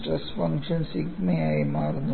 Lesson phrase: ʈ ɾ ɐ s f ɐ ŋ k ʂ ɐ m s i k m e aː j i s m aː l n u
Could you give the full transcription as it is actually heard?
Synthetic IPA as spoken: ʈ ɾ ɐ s f ɐ ŋ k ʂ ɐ n s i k m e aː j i m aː ɾ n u